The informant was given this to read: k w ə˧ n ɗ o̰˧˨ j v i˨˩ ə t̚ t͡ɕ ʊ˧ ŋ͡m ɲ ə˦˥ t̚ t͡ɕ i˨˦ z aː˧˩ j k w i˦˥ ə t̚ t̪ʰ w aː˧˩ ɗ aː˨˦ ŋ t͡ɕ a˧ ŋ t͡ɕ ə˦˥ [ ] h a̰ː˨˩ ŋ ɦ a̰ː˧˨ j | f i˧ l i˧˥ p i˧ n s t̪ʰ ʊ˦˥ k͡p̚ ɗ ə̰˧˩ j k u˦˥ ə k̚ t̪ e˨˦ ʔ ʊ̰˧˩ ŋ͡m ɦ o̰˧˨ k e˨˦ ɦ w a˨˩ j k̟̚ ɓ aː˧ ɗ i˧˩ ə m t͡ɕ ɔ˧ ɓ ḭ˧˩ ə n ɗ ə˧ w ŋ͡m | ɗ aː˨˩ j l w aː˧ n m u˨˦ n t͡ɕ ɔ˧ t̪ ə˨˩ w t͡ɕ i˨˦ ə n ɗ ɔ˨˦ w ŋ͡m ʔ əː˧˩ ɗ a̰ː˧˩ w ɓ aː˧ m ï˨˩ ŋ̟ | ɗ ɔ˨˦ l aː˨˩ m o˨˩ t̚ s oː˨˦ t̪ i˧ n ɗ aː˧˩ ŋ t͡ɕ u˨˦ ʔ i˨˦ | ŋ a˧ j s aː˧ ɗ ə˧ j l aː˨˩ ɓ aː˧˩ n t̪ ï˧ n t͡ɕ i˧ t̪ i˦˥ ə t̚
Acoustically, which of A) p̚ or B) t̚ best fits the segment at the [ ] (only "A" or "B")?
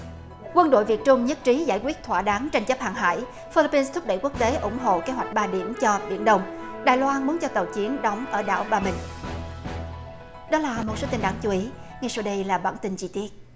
A